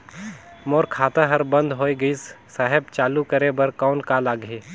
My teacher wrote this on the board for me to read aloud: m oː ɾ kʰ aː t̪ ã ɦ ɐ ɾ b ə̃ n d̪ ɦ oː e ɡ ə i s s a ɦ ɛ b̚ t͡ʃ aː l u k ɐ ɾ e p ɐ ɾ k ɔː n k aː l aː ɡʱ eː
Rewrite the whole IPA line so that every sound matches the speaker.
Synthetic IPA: m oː ɾ kʰ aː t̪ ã ɦ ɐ ɾ b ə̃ n d̪ ɦ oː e ɡ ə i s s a ɦ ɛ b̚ t͡ʃ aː l u k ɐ ɾ e b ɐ ɾ k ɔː n k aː l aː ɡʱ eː